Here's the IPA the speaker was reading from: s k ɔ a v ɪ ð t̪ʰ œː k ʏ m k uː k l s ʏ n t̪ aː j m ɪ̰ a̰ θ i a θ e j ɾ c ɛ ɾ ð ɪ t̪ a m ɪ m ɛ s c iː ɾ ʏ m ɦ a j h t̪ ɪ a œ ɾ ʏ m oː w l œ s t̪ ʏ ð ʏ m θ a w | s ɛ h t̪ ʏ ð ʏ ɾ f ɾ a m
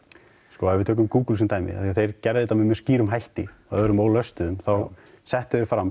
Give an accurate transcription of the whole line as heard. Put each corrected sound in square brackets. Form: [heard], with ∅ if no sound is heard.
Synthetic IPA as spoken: s k ɔ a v ɪ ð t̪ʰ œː k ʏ m k uː k l s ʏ n t̪ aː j m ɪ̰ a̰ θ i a θ e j ɾ c ɛ ɾ ð ɪ t̪ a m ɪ m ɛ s c iː ɾ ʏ m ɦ a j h t̪ ɪ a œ ɾ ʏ m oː w l œ s t̪ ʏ ð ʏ m θ a w | s ɛ h t̪ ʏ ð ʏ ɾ f ɾ a m